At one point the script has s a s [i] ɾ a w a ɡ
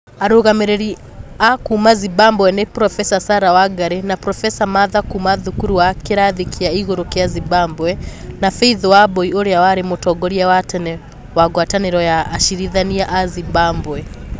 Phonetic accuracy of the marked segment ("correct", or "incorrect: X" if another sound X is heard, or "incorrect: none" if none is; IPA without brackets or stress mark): incorrect: a